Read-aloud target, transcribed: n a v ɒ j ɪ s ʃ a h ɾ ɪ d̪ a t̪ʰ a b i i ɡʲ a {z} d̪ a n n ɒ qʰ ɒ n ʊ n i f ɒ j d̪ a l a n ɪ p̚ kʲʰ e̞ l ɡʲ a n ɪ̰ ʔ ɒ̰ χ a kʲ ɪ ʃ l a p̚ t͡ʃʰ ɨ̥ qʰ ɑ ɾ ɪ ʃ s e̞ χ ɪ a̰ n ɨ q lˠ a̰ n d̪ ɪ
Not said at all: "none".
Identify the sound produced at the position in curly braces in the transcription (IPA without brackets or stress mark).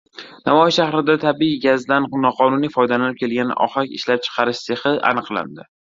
z